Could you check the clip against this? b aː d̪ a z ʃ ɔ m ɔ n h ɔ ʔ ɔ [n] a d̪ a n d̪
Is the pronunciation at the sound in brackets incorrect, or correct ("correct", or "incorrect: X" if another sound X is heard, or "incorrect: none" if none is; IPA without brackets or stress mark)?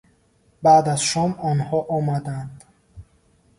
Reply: incorrect: m